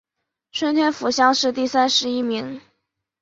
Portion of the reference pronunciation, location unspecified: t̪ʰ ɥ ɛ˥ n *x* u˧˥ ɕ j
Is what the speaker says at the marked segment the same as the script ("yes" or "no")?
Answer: no